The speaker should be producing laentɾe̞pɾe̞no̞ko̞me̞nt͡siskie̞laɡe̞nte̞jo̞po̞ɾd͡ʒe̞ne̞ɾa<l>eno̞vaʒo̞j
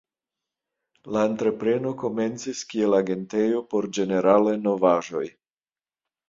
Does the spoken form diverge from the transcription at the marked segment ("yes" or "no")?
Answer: no